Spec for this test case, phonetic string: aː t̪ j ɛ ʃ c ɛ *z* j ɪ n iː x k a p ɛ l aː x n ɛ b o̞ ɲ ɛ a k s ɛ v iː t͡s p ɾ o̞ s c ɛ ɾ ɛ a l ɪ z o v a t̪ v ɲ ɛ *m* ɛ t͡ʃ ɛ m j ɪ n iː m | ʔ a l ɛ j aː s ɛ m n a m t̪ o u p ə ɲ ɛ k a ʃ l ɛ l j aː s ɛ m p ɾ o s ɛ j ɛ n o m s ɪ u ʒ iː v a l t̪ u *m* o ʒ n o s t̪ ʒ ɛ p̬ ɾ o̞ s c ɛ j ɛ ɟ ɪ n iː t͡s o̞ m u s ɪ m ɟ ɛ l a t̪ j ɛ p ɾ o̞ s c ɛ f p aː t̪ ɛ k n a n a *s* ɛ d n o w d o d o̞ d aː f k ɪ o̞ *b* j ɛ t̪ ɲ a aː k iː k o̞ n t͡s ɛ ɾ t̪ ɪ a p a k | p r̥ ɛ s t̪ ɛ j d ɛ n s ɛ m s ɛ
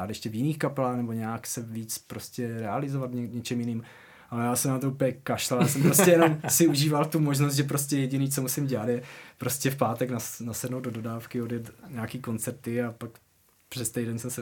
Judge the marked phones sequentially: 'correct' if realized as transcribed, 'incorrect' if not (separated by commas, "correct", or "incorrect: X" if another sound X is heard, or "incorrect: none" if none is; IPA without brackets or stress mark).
incorrect: v, incorrect: ɲ, correct, correct, incorrect: d